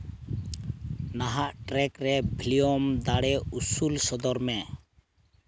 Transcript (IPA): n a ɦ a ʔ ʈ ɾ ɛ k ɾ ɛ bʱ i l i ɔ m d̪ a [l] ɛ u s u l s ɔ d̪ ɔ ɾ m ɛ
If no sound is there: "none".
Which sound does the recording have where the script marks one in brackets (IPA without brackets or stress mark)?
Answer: ɽ